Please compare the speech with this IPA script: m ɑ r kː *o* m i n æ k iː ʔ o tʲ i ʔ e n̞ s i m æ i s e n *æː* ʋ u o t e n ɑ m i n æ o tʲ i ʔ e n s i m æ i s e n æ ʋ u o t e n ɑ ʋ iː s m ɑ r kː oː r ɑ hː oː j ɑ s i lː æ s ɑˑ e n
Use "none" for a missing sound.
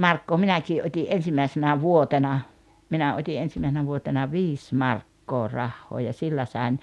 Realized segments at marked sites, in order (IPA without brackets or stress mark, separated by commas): oː, æ